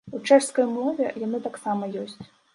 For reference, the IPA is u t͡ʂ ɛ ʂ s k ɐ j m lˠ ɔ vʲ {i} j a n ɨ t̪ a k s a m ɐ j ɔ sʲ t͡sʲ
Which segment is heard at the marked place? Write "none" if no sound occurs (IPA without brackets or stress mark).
ɛ